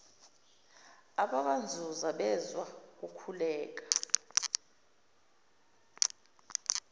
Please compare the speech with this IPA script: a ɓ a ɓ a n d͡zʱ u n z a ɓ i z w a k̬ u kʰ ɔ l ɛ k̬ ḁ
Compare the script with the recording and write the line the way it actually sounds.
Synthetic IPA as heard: a ɓ a ɓ a n d͡zʱ u z a ɓ ɛ z w a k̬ u kʰ u l ɛː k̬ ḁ